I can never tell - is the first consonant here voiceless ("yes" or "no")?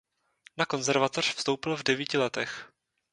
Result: no